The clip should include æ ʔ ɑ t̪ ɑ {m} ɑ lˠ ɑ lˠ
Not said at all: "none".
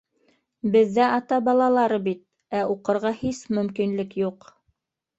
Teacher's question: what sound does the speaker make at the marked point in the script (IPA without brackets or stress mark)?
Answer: b